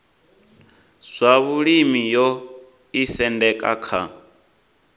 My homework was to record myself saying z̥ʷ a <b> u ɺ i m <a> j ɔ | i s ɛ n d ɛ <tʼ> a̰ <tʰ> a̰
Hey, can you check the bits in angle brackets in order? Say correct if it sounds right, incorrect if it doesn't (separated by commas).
incorrect, incorrect, incorrect, incorrect